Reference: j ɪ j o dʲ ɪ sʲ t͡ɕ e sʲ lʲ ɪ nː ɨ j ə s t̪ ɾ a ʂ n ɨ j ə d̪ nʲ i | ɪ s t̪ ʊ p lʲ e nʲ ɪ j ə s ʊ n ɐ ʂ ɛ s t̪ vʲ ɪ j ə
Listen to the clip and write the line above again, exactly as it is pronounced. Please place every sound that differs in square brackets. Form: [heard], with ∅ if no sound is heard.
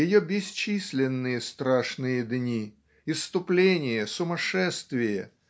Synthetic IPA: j ɪ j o [bʲ] ɪ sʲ t͡ɕ [i] sʲ lʲ ɪ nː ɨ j ə s t̪ ɾ a ʂ n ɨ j ə d̪ nʲ i | ɪ s t̪ ʊ p lʲ e nʲ ɪ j ə s ʊ [m] ɐ ʂ ɛ s t̪ vʲ ɪ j ə